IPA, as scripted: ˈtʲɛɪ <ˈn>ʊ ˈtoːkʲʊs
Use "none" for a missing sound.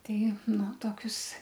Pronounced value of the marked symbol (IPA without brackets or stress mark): n